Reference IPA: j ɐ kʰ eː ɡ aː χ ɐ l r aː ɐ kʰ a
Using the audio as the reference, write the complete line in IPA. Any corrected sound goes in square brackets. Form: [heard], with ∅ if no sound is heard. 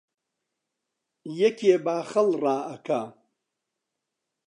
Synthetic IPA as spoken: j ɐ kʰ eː [b] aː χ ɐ l r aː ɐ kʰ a